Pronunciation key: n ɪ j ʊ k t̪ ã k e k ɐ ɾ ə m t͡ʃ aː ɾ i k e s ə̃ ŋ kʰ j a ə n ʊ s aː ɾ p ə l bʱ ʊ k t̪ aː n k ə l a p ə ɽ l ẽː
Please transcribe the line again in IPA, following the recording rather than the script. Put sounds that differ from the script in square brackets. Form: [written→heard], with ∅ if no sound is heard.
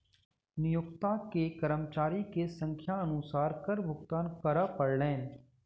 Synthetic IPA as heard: n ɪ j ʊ k t̪ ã k e k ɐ ɾ ə m t͡ʃ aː ɾ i k e s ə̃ ŋ kʰ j a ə n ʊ s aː ɾ [p→k] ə [l→ɾ] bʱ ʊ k t̪ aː n k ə [l→ɾ] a p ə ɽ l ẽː